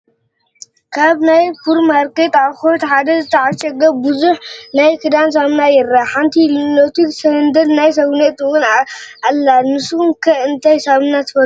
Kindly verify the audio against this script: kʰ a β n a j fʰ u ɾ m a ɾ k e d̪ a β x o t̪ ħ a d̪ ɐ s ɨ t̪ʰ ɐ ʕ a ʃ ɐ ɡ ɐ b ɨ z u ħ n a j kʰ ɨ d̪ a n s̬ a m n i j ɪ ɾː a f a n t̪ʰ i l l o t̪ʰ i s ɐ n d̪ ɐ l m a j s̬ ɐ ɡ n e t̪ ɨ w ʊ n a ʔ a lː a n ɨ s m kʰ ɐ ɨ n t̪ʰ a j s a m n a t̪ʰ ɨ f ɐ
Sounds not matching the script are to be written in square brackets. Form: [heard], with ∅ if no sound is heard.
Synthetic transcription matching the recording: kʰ a β n a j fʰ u ɾ m a ɾ k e [t̪] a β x o t̪ ħ a d̪ ɐ [z] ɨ t̪ʰ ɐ ʕ a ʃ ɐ ɡ ɐ b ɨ z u ħ n a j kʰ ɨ d̪ a n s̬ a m n [a] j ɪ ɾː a [ħ] a n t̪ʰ i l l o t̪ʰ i s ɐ n d̪ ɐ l [n] a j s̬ ɐ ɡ n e t̪ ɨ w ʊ n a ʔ a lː a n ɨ s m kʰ ɐ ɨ n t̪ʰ a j s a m n a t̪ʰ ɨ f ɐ